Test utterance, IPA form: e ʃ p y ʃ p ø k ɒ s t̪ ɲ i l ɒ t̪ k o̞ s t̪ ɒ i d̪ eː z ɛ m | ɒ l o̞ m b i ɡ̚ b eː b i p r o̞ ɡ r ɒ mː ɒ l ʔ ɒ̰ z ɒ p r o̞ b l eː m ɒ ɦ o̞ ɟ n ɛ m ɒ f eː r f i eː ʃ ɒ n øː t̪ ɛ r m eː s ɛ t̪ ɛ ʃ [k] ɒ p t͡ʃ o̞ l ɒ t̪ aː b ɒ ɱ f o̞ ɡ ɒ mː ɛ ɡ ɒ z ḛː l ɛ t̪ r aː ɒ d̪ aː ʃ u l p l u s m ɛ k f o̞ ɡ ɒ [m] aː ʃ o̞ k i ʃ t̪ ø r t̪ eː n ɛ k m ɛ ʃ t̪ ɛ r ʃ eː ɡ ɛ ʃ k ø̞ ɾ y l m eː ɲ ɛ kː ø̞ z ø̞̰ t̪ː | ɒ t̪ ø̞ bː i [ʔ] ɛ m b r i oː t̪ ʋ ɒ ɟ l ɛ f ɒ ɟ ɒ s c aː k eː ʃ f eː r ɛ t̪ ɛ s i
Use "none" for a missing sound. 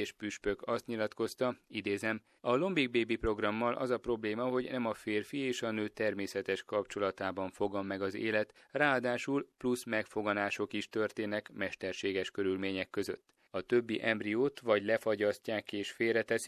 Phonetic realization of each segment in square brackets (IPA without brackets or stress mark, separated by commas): k, n, ʔ